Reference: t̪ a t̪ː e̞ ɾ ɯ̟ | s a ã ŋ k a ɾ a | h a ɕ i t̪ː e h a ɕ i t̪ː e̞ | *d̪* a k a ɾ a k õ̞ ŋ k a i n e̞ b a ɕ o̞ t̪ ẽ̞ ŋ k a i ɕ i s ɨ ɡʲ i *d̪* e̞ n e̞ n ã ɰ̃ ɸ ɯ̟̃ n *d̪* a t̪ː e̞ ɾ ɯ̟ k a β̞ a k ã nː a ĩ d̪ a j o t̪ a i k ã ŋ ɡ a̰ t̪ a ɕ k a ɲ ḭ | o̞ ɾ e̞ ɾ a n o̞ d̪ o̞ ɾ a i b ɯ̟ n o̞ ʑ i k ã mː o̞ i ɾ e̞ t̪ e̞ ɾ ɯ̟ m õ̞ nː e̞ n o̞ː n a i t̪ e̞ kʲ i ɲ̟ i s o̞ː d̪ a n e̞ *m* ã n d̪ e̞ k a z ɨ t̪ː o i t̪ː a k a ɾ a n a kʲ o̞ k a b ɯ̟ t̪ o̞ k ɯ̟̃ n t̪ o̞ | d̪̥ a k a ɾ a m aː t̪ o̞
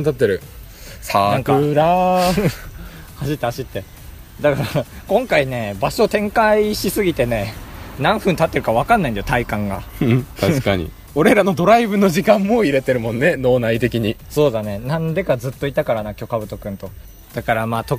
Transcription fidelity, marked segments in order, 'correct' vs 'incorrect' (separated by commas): correct, incorrect, incorrect, incorrect